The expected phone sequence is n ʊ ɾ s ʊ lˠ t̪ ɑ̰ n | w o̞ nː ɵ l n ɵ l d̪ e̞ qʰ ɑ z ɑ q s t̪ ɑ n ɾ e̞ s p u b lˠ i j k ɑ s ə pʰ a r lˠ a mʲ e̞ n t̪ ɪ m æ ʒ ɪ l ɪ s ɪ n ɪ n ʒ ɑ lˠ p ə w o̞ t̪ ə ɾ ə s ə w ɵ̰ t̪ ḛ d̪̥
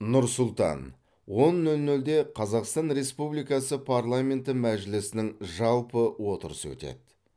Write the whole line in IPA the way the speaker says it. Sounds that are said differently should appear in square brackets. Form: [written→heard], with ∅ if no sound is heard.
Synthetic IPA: n ʊ ɾ s ʊ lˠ t̪ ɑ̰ n | w o̞ nː ɵ l n ɵ l d̪ e̞ qʰ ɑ z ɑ q s t̪ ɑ n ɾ e̞ s p u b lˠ i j k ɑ s ə pʰ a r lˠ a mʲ e̞ n t̪ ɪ m æ ʒ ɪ l ɪ s ɪ n ɪ [n→ŋ] ʒ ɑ lˠ p ə w o̞ t̪ ə ɾ ə s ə w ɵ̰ t̪ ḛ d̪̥